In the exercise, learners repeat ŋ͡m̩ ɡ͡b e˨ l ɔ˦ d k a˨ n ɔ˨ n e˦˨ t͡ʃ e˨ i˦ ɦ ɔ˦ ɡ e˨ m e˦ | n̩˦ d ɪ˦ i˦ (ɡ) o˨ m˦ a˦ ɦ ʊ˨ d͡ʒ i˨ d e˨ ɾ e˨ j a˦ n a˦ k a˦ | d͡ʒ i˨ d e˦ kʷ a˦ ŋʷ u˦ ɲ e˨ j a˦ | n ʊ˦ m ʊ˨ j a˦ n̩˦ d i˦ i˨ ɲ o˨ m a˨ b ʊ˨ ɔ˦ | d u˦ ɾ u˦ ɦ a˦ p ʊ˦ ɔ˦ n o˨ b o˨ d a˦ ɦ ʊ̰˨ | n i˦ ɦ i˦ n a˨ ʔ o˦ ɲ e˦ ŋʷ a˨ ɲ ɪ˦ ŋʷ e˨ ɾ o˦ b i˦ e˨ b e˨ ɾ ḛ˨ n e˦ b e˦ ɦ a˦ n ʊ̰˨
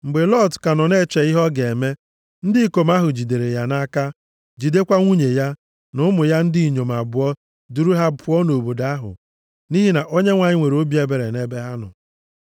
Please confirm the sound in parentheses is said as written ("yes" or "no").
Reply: no